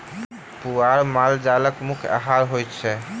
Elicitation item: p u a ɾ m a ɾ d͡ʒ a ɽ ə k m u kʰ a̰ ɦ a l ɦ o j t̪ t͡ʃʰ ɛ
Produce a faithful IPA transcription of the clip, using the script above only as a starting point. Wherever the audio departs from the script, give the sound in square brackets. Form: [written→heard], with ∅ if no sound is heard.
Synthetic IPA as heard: p u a ɾ m a [ɾ→l] d͡ʒ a [ɽ→l] ə k m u kʰ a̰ ɦ a [l→ɾ] ɦ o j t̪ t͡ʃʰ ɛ

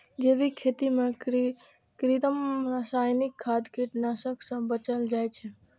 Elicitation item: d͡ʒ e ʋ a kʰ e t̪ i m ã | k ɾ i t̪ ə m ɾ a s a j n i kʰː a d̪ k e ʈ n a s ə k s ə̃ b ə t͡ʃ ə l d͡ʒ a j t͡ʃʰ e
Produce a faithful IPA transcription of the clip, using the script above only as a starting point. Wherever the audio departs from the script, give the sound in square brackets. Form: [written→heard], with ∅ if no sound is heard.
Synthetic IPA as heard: d͡ʒ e ʋ [a→i] kʰ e t̪ i m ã | k ɾ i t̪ ə m ɾ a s a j n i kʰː a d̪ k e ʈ n a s ə k s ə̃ b ə t͡ʃ ə l d͡ʒ a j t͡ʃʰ e

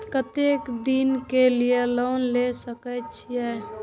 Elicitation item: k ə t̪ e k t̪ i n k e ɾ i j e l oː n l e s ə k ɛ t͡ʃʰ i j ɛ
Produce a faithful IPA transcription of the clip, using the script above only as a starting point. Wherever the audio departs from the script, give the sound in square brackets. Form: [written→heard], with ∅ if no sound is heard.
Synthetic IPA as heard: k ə t̪ e k [t̪→d̪] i n k e [ɾ→l] i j e l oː n l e s ə k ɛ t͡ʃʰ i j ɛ

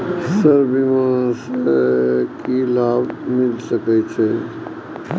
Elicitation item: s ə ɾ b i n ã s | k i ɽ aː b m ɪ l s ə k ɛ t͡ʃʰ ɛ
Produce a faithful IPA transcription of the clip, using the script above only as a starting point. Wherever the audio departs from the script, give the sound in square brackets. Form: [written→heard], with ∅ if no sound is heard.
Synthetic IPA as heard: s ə ɾ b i [n→m] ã s | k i [ɽ→l] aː b m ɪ l s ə k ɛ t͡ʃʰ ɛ

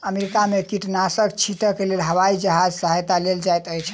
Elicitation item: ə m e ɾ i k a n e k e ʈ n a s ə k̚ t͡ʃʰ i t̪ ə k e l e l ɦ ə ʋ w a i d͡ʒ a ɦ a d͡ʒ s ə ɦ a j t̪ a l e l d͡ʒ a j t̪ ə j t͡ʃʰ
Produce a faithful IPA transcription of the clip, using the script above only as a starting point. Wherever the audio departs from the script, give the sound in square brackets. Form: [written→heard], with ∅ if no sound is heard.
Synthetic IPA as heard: ə m e ɾ i k a [n→m] e k [e→i] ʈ n a s ə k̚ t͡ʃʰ i t̪ ə k e l e l ɦ ə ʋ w a i d͡ʒ [a→ə] ɦ a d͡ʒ s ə ɦ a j t̪ a l e l d͡ʒ a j t̪ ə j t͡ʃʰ

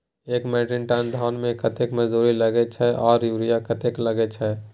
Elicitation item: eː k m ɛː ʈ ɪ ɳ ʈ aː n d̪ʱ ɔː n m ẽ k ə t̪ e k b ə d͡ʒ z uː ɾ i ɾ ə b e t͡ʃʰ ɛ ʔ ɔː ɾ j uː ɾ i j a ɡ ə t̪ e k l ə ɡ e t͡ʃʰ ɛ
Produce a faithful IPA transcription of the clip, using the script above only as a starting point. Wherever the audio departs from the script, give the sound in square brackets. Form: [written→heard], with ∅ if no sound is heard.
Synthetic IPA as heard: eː k m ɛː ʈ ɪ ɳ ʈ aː n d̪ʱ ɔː n m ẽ k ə t̪ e k [b→m] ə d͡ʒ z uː ɾ i [ɾ→l] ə [b→ɡ] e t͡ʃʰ ɛ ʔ ɔː ɾ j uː ɾ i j a [ɡ→k] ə t̪ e k l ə ɡ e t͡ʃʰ ɛ

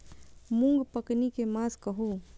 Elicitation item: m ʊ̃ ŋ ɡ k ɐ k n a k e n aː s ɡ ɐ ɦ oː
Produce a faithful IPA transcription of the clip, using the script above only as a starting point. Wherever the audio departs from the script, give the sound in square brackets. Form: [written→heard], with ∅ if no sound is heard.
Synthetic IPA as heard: m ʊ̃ ŋ ɡ [k→p] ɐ k n [a→i] k e [n→m] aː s [ɡ→k] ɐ ɦ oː

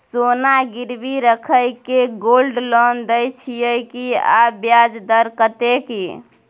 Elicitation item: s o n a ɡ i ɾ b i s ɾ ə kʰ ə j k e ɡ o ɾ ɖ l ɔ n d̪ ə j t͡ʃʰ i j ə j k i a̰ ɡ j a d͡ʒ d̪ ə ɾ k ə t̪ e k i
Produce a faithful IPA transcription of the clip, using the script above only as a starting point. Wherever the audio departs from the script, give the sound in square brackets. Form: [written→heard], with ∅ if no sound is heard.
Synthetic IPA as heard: s o n a ɡ i ɾ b i [s→∅] ɾ ə kʰ ə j k e ɡ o [ɾ→l] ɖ l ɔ n d̪ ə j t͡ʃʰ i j ə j k i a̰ [ɡ→b] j a d͡ʒ d̪ ə ɾ k ə t̪ e k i

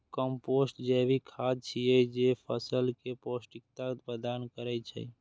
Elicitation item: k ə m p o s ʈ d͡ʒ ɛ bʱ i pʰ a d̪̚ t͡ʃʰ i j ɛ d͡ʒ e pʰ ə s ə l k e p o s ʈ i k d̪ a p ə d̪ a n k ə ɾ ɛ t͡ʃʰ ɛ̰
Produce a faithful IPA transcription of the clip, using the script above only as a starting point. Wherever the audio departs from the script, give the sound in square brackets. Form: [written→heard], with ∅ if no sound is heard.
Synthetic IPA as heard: k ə m p o s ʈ d͡ʒ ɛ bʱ i [pʰ→kʰ] a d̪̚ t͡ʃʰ i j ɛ d͡ʒ e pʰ ə s ə l k e p o s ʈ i k [d̪→t̪] a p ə d̪ a n k ə ɾ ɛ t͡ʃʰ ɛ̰

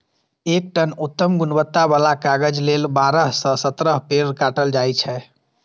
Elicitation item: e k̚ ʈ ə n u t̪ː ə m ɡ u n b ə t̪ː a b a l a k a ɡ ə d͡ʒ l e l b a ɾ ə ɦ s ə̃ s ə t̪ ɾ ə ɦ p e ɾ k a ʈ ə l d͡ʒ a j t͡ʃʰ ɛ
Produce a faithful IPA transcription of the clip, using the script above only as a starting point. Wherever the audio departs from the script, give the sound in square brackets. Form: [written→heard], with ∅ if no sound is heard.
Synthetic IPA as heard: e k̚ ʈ ə n u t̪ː ə m ɡ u n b ə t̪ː a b a l a k a ɡ ə d͡ʒ l e l b a ɾ ə ɦ s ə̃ s ə t̪ ɾ ə ɦ p e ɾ k a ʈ ə l d͡ʒ a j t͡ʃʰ ɛ

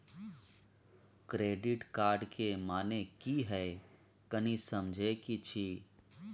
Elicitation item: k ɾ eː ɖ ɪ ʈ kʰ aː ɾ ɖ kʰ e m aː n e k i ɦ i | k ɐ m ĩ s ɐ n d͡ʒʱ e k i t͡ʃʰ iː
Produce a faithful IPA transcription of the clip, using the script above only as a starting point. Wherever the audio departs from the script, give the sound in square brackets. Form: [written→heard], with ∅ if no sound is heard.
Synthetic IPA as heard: k ɾ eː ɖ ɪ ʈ [kʰ→k] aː ɾ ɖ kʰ e m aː n e k i ɦ [i→ɛ] | k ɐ [m→n] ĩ s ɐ [n→m] d͡ʒʱ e k i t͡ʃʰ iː

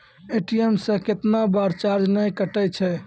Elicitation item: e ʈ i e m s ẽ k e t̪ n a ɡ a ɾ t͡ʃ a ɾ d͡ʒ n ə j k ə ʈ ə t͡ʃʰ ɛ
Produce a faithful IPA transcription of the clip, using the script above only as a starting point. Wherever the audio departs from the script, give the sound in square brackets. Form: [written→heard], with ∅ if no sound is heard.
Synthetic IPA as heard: e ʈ i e m s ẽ k e t̪ n a [ɡ→b] a ɾ t͡ʃ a ɾ d͡ʒ n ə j k ə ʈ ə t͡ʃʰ ɛ

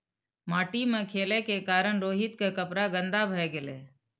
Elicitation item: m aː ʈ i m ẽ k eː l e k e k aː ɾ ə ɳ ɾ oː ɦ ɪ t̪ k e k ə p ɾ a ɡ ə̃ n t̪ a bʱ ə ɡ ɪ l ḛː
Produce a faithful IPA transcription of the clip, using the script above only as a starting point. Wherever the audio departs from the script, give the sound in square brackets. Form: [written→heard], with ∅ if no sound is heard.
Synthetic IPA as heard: m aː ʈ i m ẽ [k→kʰ] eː l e k e k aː ɾ ə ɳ ɾ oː ɦ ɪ t̪ k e k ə p ɾ a ɡ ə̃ n [t̪→d̪] a bʱ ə ɡ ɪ l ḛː

